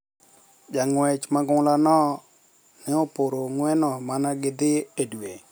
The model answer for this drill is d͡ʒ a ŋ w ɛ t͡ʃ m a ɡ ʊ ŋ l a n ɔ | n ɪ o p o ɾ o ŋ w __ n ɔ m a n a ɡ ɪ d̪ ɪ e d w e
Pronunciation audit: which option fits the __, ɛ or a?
ɛ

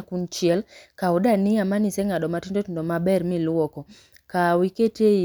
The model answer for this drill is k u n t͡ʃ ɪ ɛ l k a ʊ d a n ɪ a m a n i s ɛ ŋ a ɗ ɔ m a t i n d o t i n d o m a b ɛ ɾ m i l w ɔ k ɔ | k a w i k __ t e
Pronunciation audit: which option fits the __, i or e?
e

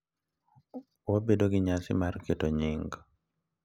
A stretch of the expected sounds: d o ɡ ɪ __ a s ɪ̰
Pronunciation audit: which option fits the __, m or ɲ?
ɲ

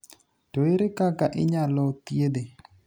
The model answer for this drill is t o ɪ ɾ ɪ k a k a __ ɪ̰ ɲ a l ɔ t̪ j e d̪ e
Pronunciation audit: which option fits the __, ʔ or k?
ʔ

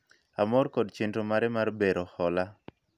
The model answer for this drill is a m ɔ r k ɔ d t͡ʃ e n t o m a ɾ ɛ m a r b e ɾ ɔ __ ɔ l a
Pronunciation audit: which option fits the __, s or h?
h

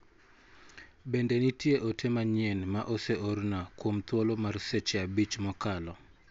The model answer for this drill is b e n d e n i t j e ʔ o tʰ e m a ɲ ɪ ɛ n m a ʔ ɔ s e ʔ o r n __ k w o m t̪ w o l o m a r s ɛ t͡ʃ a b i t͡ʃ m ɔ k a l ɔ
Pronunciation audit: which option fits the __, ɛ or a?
a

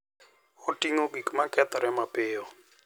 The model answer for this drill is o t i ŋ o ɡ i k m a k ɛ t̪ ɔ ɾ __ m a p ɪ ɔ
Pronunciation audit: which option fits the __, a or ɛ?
ɛ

